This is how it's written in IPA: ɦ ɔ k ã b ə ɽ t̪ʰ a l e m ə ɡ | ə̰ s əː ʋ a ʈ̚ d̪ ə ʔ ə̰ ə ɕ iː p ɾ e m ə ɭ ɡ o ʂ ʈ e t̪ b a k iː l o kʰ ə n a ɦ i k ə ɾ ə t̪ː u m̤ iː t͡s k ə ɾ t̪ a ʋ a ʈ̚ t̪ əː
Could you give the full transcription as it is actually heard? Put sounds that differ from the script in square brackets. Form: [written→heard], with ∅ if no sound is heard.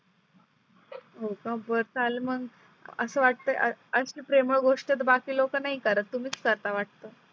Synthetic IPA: ɦ [ɔ→o] k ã b ə [ɽ→ɾ] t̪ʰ a l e m ə ɡ | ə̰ s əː ʋ a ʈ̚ [d̪→t̪] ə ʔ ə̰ ə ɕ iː p ɾ e m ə ɭ ɡ o ʂ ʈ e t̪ b a k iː l o [kʰ→k] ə n a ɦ i k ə ɾ ə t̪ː u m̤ iː t͡s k ə ɾ t̪ a ʋ a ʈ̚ t̪ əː